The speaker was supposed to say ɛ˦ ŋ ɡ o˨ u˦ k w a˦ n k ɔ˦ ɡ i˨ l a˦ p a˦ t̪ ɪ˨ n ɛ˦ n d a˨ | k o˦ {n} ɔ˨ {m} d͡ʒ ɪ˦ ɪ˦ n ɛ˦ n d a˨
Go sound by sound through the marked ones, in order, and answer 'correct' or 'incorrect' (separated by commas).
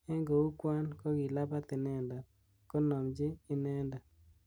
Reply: correct, correct